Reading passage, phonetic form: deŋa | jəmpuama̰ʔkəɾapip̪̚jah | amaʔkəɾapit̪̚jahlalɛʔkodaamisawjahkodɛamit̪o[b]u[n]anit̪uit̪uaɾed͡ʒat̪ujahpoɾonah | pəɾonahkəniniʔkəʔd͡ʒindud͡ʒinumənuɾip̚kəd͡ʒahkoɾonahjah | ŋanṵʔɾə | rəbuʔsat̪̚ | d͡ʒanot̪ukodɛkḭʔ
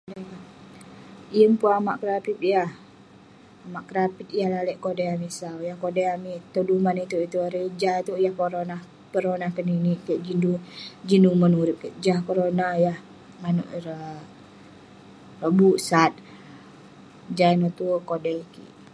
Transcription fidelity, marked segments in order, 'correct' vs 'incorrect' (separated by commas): incorrect, incorrect